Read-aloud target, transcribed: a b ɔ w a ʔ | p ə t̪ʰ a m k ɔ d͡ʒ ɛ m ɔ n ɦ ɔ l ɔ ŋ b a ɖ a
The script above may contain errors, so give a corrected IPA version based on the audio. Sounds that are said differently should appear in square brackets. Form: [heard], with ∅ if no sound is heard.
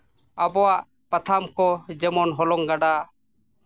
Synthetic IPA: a b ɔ w a ʔ | p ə t̪ʰ a m k ɔ d͡ʒ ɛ m ɔ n ɦ ɔ l ɔ ŋ [ɡ] a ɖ a